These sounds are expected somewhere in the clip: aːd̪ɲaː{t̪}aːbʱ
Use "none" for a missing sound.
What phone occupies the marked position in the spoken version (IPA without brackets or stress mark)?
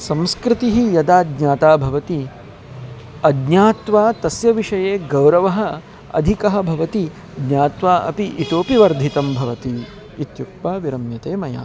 t̪